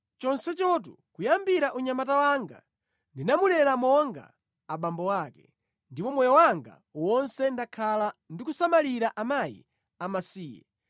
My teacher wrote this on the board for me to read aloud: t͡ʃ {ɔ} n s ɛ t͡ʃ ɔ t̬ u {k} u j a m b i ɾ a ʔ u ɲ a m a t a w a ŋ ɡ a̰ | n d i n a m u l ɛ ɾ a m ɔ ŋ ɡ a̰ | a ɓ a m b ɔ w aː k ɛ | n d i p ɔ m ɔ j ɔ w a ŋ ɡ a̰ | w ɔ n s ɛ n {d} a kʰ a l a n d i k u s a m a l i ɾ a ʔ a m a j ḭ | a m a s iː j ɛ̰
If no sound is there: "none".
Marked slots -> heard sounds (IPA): ɔ, k, d

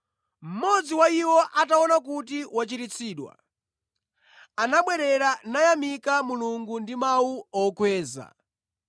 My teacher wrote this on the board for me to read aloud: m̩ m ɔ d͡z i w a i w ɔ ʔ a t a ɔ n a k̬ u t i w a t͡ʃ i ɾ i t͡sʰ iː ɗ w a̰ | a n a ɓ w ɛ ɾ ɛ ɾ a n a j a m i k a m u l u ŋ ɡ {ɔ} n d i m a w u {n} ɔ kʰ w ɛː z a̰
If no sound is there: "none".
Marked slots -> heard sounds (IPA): u, none

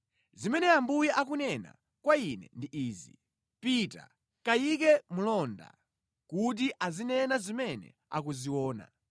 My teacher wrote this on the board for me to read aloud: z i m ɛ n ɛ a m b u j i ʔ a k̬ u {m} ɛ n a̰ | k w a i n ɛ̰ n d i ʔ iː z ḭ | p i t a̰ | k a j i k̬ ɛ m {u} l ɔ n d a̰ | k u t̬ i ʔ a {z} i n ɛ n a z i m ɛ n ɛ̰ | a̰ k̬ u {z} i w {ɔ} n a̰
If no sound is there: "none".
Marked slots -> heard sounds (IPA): n, u, z, z, ɔː

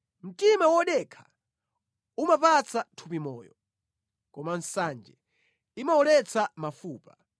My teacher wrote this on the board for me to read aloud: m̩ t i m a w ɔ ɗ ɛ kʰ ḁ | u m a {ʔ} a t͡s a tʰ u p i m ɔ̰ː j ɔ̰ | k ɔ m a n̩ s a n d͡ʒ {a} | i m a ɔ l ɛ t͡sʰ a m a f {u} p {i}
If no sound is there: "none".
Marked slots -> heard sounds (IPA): p, ɛ, uː, a

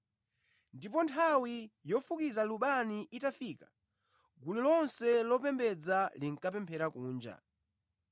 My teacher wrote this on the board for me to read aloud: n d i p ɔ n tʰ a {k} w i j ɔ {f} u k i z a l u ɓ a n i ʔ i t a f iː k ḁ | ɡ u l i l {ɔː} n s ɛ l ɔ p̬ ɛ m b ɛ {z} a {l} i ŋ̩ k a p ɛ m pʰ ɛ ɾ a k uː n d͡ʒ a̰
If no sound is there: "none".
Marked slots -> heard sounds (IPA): none, f, ɔ, d͡z, l

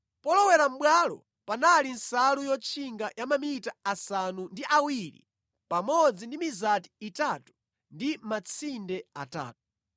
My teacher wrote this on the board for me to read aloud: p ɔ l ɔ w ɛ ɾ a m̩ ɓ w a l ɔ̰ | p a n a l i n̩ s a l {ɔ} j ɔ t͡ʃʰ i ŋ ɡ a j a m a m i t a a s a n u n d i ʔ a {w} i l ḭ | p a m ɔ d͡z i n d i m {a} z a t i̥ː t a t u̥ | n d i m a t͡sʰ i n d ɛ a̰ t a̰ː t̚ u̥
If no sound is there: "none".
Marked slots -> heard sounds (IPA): u, w, i

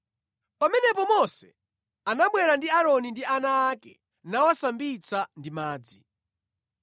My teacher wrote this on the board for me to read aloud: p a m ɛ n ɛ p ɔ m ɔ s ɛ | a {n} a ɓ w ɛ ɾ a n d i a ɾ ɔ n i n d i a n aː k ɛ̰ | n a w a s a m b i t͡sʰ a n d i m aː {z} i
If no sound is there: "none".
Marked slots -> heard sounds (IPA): n, d͡z

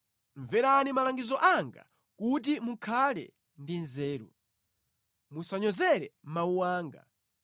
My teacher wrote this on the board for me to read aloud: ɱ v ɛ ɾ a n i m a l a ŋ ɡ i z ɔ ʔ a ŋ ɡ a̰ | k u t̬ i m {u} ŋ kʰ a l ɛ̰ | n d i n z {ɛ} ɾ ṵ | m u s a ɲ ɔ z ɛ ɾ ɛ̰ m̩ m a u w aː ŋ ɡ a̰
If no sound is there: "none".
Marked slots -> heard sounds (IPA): u, ɛː

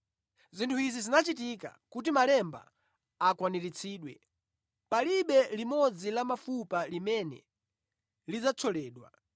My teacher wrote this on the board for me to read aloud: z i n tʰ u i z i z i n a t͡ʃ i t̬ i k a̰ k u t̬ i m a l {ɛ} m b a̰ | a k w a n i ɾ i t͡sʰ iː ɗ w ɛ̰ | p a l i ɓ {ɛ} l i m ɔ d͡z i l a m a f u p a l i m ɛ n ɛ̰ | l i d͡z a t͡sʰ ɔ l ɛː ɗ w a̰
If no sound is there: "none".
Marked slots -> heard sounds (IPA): ɛ, ɛ

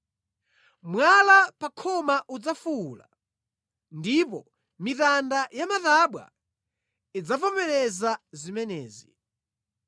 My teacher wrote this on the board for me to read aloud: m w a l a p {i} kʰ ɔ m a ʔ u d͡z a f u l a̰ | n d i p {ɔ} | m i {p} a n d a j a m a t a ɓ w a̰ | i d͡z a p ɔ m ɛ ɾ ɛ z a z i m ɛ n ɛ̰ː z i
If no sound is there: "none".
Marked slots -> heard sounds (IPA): a, ɔ, t

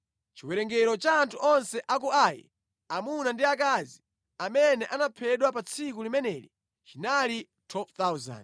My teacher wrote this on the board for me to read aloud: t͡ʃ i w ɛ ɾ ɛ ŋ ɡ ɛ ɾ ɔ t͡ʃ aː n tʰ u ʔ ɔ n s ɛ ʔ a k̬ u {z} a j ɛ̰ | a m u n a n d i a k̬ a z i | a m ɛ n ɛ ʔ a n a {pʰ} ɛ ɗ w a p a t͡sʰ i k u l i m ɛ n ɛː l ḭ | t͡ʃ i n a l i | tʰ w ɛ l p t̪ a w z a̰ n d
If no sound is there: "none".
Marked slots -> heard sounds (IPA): none, pʰ

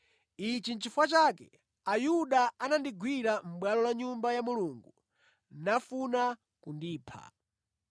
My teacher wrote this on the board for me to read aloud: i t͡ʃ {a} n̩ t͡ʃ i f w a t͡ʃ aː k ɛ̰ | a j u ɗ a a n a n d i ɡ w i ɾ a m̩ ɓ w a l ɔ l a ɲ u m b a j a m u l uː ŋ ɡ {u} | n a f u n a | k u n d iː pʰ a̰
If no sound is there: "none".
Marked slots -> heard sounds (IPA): i, u

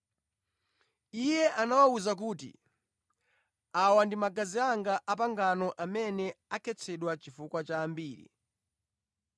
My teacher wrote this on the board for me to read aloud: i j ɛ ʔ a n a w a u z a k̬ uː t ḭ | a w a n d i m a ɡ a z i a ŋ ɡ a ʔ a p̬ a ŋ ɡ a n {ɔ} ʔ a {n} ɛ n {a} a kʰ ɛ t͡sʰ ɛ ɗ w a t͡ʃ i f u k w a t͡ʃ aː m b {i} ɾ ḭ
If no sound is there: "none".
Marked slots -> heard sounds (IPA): ɔ, m, ɛ, iː

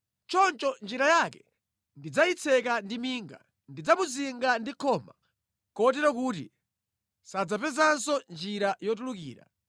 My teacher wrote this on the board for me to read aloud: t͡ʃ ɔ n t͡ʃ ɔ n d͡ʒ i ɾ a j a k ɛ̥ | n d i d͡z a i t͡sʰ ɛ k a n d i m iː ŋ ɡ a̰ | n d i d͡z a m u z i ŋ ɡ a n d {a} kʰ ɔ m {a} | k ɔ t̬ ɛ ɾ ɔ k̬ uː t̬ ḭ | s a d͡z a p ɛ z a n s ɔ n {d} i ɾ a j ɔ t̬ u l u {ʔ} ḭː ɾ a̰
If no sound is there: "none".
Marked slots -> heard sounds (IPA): i, a, d͡ʒ, k

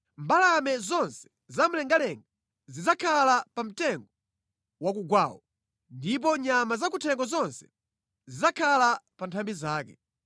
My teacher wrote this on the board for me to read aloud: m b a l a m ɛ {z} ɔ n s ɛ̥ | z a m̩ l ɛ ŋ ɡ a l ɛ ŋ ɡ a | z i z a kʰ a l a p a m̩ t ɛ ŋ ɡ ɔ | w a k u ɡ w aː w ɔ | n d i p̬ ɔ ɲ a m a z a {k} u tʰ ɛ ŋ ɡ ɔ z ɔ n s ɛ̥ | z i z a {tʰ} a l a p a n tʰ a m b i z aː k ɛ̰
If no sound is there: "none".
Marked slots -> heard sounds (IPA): z, k, kʰ

